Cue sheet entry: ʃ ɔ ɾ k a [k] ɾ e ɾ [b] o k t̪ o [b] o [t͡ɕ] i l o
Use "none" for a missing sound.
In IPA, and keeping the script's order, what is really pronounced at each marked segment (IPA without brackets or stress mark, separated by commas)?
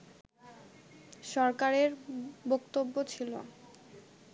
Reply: none, b, bː, t͡ɕʰ